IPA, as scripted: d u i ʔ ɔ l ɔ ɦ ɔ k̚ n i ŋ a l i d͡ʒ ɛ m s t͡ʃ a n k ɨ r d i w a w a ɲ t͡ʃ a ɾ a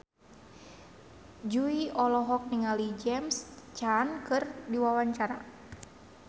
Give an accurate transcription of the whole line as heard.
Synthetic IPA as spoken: d͡ʒ u i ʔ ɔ l ɔ ɦ ɔ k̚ n i ŋ a l i d͡ʒ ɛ m s t͡ʃ a n k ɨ r d i w a w a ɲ t͡ʃ a ɾ a